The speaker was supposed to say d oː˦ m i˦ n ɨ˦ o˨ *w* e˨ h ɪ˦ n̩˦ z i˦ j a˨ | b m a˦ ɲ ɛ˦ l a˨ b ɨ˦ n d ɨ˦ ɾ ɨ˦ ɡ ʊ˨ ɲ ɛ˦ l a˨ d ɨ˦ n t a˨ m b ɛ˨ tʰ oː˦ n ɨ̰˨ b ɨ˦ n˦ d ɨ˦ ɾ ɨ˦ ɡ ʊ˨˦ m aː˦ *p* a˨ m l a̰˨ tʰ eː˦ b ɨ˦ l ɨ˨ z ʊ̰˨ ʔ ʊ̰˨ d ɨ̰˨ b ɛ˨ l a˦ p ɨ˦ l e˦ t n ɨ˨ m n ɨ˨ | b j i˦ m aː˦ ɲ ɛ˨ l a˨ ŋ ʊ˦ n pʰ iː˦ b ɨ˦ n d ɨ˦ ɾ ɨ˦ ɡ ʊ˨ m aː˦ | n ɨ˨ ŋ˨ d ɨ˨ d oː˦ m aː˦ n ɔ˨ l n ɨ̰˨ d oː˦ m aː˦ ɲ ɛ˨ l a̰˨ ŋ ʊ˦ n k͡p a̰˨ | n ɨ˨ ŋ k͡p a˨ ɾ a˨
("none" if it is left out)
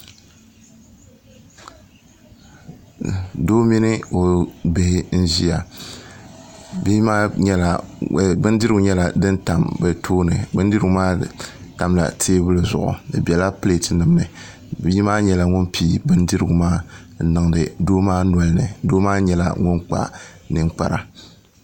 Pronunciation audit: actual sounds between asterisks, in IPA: b, t

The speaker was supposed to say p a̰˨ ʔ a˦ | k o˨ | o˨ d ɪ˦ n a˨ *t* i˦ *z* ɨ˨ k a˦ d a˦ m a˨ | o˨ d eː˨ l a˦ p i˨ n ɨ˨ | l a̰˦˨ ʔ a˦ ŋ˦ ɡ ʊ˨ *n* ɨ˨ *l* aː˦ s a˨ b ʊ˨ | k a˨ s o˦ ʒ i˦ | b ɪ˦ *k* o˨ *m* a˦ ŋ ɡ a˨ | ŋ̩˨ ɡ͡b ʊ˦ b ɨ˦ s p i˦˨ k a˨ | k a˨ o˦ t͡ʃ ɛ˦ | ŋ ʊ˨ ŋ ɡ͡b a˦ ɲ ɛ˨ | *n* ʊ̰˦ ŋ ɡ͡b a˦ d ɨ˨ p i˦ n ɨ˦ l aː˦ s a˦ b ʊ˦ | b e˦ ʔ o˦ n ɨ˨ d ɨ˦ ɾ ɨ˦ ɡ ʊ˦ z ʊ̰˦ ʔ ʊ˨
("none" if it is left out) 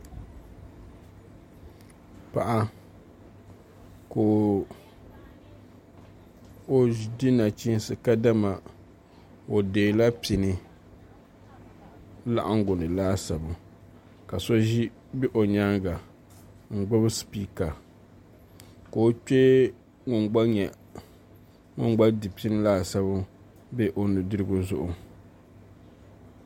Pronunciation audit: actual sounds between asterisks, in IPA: t͡ʃ, s, n, l, ʔ, ɲ, ŋ

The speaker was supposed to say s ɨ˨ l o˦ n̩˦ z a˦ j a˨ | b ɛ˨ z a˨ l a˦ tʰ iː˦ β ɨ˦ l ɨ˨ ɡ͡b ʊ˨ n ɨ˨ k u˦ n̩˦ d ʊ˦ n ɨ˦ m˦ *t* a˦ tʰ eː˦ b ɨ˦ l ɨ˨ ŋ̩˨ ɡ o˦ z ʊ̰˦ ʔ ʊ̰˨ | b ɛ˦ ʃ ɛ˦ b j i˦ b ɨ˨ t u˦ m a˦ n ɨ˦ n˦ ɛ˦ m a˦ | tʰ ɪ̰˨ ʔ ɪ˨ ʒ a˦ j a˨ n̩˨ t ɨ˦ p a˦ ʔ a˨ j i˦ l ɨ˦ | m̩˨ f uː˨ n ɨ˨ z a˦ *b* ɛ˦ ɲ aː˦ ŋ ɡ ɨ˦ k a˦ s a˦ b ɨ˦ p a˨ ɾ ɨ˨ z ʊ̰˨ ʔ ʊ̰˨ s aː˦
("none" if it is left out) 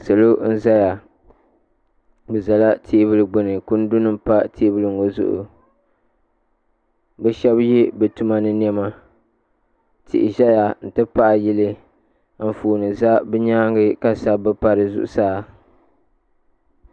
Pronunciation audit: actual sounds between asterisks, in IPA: p, b

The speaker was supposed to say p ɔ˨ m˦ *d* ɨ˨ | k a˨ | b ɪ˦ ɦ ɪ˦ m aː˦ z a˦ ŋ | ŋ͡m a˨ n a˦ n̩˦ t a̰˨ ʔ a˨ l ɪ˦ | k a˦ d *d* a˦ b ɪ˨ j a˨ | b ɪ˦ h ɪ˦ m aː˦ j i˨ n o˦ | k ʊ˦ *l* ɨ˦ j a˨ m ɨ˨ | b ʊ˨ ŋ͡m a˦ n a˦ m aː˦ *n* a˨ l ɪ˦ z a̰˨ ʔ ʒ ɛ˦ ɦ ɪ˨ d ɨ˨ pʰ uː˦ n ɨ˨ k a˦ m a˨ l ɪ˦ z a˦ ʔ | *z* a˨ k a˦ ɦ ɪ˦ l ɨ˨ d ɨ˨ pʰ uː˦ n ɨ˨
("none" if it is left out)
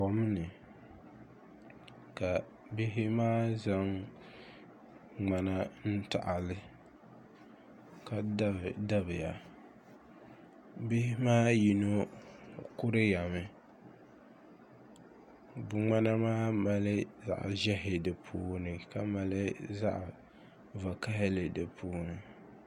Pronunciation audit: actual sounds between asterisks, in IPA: n, d, ɾ, m, v

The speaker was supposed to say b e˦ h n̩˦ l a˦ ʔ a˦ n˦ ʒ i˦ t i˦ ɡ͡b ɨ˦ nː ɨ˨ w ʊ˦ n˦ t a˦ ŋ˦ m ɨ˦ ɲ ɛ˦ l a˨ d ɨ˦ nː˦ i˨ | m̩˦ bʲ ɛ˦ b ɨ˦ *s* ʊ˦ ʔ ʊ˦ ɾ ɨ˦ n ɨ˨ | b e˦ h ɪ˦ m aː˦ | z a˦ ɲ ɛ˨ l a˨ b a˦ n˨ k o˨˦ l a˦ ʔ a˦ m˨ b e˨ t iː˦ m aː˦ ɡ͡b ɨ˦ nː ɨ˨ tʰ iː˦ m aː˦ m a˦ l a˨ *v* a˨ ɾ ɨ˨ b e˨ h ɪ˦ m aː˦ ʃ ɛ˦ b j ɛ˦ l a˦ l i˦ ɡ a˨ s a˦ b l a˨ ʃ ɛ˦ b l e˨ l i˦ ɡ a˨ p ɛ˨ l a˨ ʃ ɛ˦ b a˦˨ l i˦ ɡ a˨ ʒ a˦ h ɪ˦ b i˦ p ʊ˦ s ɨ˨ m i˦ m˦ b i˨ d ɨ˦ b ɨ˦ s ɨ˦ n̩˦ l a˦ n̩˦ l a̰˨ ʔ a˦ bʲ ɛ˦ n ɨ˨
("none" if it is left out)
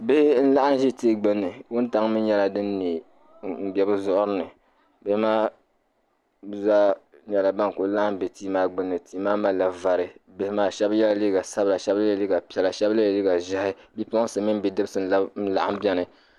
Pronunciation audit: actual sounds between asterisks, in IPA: z, v

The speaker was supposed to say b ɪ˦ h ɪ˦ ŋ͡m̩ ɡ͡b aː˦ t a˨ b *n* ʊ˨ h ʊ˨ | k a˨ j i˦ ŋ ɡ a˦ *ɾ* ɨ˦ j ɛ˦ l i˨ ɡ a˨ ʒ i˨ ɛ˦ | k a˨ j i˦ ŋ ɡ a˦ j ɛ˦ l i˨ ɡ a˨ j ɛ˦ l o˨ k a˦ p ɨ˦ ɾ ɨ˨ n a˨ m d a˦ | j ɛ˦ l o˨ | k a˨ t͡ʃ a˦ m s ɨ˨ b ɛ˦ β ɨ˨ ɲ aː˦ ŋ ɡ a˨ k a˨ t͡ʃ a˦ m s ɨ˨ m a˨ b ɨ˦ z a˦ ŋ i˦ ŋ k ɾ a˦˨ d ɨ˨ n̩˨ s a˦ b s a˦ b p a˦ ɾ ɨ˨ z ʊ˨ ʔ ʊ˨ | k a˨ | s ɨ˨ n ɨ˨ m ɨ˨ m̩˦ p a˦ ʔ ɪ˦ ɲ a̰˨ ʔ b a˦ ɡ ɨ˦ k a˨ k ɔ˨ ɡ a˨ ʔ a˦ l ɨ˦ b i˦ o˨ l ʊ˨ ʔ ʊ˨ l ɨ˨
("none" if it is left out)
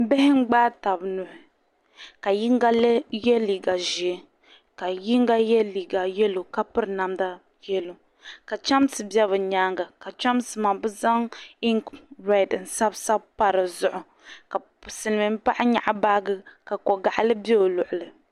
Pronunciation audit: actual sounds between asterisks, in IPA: n, l

